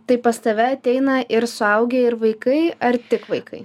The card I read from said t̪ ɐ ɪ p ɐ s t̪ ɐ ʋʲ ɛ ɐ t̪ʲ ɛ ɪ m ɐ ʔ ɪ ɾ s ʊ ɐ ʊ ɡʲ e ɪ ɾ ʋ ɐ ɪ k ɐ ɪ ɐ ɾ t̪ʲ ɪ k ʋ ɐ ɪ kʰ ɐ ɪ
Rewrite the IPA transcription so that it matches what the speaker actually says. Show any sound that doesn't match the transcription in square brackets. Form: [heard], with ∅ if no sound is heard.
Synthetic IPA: t̪ ɐ ɪ p ɐ s t̪ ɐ ʋʲ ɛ ɐ t̪ʲ ɛ ɪ [n] ɐ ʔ ɪ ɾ s ʊ ɐ ʊ ɡʲ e ɪ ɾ ʋ ɐ ɪ k ɐ ɪ ɐ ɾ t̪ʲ ɪ k ʋ ɐ ɪ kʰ ɐ ɪ